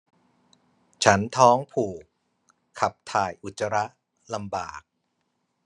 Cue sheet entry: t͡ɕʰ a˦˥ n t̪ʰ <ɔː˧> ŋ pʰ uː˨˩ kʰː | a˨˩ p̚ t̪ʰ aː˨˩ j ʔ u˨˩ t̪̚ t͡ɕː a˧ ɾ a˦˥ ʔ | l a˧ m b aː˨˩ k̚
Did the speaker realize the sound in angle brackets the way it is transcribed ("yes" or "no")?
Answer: no